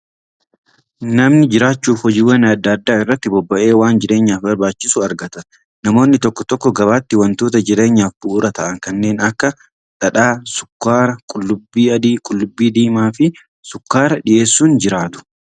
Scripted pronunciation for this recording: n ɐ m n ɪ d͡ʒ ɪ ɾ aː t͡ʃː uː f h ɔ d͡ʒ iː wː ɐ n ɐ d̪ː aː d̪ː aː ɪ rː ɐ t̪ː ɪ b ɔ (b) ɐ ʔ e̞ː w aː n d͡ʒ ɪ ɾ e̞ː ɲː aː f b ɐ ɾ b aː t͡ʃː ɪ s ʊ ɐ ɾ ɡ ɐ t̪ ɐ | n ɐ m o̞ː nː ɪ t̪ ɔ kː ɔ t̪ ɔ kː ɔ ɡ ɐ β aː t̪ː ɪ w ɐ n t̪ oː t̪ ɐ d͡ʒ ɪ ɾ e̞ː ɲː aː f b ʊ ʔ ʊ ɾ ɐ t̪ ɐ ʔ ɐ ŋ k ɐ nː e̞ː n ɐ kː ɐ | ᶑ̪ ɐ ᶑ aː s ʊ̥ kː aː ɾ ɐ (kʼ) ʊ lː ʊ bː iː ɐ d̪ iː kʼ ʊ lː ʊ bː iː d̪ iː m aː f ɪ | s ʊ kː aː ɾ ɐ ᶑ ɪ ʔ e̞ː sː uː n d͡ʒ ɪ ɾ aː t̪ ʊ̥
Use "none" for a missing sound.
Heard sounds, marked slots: bː, kʼ

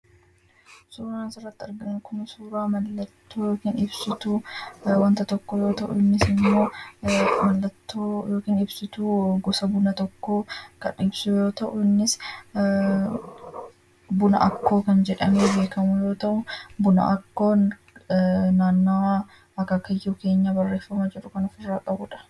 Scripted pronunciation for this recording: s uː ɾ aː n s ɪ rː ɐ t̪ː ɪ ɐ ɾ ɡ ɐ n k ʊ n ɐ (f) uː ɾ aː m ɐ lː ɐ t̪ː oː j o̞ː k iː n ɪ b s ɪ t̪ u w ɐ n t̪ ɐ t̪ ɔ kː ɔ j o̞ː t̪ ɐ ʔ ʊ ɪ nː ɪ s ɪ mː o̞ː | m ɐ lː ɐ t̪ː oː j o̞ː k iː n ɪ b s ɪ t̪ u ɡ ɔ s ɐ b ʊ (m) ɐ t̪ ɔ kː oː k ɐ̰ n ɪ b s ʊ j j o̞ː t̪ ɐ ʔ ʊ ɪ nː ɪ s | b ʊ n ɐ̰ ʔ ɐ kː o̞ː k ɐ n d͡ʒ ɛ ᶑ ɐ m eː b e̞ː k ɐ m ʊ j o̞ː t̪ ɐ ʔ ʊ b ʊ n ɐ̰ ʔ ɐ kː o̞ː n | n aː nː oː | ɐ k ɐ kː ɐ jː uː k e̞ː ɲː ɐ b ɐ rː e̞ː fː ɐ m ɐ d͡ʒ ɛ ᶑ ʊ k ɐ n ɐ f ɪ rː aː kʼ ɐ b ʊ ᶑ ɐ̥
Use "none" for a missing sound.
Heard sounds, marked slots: s, n

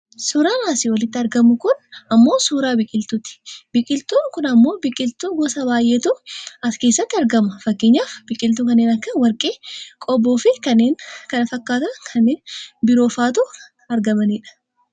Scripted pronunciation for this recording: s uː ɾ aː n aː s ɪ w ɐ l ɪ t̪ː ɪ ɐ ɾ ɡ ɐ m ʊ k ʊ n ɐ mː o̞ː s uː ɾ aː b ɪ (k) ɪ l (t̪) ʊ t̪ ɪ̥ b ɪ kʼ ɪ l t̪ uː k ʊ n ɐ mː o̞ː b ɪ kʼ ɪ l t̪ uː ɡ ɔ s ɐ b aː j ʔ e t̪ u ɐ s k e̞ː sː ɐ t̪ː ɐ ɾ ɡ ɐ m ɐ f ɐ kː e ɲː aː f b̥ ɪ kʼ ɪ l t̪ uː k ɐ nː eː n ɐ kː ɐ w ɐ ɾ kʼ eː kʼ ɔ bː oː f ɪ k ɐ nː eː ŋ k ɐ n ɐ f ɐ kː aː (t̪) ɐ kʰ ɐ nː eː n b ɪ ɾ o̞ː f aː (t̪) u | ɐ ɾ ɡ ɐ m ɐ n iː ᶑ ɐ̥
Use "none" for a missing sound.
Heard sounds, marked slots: kʼ, t̪, t̪, t̪

